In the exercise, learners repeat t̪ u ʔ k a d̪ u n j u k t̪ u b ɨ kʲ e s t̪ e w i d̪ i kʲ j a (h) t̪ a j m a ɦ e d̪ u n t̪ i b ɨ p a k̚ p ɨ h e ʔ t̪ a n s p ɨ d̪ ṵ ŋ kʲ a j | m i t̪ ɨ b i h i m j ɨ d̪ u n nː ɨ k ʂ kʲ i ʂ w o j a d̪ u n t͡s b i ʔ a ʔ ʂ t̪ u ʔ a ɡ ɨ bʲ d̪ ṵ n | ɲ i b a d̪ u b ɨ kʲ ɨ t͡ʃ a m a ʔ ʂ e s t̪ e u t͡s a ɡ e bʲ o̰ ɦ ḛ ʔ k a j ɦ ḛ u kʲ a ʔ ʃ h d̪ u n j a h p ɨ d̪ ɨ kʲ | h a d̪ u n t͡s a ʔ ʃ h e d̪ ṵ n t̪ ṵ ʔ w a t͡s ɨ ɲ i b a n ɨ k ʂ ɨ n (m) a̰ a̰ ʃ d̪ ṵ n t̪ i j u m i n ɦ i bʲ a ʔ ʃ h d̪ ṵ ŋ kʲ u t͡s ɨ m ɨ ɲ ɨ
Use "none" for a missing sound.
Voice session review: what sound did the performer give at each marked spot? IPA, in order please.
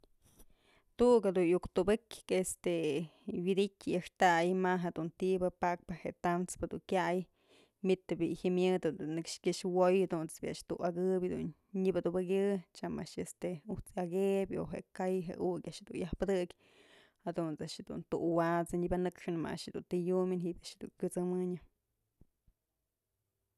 ʂ, m

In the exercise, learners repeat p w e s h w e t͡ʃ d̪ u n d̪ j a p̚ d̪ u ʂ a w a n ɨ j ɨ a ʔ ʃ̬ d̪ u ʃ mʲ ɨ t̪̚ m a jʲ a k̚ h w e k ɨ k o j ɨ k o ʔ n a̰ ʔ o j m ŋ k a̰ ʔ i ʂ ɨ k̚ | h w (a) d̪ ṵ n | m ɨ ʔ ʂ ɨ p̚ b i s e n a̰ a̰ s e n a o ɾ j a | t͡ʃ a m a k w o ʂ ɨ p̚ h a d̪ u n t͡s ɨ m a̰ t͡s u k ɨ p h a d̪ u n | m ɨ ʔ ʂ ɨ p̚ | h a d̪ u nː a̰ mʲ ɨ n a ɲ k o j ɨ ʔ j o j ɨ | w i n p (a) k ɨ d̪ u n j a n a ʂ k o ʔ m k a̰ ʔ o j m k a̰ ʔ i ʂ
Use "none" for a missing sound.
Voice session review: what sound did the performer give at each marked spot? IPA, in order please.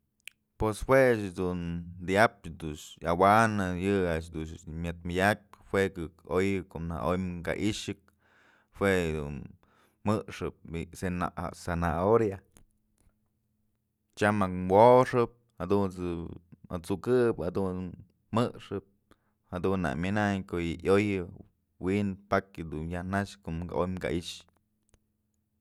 e, a

